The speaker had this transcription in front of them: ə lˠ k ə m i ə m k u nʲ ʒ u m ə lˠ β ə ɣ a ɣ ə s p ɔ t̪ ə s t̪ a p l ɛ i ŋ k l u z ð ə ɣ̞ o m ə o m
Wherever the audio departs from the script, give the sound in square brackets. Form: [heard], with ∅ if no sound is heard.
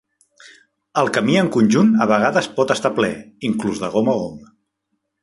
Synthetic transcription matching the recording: ə lˠ k ə m i ə [ŋ] k u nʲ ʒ u [n] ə [∅] β ə ɣ a [ð] ə s p ɔ t̪ ə s t̪ a p l ɛ i ŋ k l u z ð ə ɣ̞ o m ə o m